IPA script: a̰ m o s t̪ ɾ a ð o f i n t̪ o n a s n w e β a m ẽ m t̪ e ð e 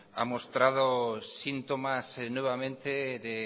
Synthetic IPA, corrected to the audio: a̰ m o s t̪ ɾ a ð o s i n t̪ o m a s n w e β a m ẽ n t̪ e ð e